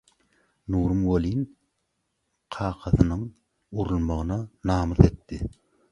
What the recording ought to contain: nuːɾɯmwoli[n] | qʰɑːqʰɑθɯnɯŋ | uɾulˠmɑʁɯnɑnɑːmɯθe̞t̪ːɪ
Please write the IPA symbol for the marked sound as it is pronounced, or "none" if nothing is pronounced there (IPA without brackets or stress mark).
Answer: n